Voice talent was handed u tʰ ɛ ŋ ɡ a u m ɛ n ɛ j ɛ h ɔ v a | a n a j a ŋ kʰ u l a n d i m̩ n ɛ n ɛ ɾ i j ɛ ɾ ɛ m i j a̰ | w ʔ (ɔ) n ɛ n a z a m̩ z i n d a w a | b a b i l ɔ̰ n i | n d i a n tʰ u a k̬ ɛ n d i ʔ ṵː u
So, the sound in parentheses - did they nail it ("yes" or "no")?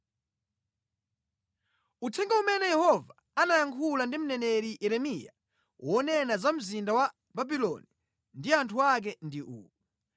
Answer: yes